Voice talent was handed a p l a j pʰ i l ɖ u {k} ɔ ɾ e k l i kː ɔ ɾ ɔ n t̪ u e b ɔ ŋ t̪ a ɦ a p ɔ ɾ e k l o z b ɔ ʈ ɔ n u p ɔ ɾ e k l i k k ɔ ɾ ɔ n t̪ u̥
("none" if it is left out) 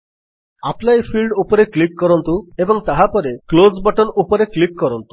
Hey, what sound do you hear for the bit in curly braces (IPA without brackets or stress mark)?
p